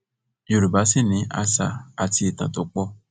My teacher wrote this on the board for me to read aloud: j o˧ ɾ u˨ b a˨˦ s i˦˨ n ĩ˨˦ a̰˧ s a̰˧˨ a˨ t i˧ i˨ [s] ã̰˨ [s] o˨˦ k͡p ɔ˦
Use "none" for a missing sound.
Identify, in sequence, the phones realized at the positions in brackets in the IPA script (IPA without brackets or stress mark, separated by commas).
t, t